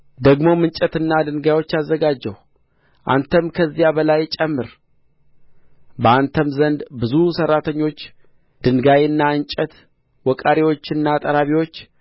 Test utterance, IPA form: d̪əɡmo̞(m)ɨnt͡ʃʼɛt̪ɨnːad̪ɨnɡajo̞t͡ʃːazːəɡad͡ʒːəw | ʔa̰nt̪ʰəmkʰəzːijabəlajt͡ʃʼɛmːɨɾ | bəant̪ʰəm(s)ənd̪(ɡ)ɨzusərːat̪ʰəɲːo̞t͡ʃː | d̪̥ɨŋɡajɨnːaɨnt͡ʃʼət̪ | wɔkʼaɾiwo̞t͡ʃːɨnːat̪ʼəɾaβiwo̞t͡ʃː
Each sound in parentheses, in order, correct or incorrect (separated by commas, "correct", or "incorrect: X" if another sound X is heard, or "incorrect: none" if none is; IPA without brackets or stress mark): correct, incorrect: z, incorrect: b